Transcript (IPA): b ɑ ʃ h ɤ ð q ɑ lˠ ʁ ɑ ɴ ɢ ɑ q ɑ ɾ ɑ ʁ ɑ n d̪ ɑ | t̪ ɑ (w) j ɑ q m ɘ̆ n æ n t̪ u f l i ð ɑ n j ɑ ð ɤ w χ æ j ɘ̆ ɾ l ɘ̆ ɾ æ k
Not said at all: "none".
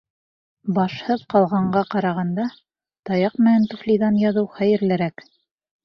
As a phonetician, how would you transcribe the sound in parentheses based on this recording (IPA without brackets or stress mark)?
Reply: none